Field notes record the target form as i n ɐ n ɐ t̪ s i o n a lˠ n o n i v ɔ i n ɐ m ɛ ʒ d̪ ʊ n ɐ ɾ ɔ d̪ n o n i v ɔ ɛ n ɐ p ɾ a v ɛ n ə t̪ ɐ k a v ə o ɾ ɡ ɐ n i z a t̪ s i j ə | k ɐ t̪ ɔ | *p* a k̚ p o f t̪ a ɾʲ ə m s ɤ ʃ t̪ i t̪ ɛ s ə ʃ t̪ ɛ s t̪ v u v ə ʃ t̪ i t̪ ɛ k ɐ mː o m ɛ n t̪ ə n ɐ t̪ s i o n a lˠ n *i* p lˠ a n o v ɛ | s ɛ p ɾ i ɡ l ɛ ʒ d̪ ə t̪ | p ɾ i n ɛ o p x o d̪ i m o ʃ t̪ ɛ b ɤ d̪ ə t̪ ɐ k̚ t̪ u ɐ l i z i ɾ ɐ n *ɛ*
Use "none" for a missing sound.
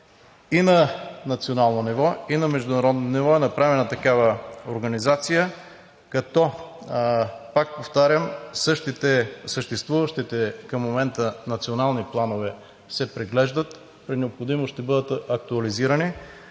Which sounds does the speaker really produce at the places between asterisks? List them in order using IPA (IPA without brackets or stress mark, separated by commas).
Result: p, i, i